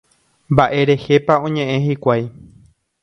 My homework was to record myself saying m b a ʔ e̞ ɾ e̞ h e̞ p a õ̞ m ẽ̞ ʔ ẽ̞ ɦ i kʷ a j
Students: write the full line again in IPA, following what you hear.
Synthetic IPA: m b a ʔ e̞ ɾ e̞ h e̞ p a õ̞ ɲ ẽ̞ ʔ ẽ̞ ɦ i kʷ a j